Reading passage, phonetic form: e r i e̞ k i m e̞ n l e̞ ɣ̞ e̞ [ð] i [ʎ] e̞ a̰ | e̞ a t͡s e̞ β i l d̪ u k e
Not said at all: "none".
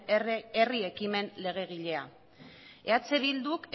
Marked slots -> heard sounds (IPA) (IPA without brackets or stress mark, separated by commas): ɣ, ʎ